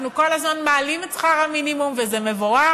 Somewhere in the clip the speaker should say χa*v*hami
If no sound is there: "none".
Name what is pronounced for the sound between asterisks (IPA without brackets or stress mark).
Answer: ʁ